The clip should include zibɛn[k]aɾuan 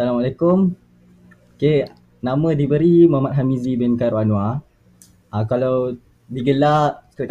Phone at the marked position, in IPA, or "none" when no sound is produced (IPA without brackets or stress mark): k